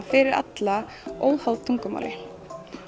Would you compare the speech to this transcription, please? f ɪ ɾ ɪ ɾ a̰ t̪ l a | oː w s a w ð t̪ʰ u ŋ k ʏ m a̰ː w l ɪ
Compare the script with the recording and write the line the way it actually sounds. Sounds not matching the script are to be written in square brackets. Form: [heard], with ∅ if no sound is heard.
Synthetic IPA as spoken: f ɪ ɾ ɪ ɾ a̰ t̪ l a | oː w [h] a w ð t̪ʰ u ŋ k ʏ m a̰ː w l ɪ